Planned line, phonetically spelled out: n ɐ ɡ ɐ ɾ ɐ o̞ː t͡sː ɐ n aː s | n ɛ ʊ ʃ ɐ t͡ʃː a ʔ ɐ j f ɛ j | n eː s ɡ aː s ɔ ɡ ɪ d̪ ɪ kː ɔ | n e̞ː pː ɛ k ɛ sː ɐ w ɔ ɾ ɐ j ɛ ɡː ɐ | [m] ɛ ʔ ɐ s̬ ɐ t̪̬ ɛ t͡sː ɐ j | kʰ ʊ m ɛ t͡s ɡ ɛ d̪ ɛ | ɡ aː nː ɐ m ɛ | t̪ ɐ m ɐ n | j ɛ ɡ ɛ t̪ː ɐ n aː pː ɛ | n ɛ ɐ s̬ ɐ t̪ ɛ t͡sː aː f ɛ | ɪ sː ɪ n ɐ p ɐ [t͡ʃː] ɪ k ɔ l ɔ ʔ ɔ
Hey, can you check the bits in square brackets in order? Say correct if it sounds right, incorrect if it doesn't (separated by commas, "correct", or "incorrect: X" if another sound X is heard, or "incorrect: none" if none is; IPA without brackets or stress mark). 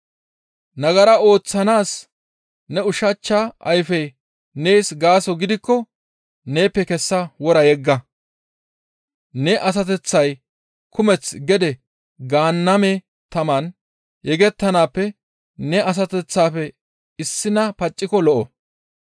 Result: incorrect: n, incorrect: t͡ʃʼː